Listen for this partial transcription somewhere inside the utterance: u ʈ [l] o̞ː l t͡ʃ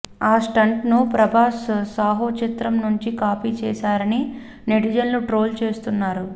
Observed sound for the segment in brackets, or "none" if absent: ɾ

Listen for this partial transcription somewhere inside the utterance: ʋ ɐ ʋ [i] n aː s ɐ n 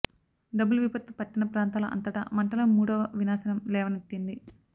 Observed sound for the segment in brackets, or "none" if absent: i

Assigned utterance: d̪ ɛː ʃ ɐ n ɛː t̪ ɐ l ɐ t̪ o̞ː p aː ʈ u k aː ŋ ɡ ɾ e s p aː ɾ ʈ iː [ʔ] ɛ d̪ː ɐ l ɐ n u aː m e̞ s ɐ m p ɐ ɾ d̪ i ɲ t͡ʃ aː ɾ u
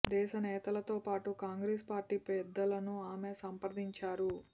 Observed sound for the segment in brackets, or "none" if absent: p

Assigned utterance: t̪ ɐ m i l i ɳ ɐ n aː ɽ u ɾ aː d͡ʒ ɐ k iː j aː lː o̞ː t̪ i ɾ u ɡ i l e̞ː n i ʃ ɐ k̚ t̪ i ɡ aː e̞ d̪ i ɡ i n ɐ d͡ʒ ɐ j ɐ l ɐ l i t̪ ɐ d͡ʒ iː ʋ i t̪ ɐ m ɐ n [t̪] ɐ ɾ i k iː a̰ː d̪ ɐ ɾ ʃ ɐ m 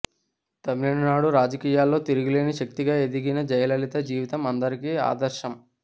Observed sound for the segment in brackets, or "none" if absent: d̪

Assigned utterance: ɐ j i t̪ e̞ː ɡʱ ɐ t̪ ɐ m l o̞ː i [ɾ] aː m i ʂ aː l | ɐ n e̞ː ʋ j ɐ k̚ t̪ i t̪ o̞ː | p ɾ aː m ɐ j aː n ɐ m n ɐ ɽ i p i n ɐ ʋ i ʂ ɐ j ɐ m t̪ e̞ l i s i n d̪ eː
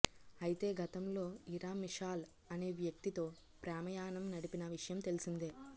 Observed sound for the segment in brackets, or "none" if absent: ɾ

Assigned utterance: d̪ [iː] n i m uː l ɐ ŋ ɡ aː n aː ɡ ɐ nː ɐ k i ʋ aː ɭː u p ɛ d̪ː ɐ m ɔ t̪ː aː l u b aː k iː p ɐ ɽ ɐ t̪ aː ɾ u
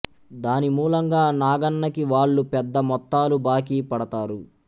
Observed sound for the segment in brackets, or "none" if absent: aː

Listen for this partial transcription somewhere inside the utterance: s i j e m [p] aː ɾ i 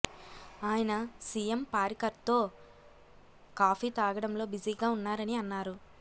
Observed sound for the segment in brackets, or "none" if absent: p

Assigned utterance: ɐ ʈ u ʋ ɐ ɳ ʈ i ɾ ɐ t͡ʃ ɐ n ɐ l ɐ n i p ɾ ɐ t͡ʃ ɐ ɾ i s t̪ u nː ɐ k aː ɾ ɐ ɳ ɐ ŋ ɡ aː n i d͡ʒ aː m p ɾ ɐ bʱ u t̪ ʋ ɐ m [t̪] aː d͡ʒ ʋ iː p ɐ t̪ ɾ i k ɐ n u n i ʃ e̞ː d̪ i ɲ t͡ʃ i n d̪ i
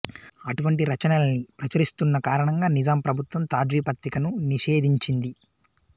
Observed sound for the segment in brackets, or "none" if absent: t̪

